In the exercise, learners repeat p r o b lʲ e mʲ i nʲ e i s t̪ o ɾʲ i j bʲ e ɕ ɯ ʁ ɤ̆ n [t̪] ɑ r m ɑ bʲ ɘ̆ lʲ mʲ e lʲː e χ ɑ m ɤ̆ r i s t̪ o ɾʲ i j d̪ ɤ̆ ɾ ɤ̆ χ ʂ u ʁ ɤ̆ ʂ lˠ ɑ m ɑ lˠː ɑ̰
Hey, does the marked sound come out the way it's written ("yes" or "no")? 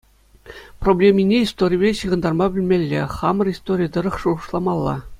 no